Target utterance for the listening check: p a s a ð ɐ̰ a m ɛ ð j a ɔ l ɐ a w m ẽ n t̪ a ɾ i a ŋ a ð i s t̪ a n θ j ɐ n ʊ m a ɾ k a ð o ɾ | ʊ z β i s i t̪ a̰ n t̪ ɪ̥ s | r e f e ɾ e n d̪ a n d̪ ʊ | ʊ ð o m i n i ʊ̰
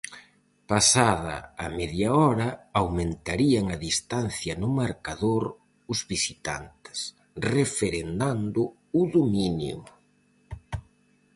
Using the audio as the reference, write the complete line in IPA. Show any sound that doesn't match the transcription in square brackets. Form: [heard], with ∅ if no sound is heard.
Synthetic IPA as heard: p a s a ð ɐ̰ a m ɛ ð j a ɔ [ɾ] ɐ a w m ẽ n t̪ a ɾ i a ŋ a ð i s t̪ a n θ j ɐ n ʊ m a ɾ k a ð o ɾ | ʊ z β i s i t̪ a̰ n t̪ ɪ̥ s | r e f e ɾ e n d̪ a n d̪ ʊ | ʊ ð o m i n [j] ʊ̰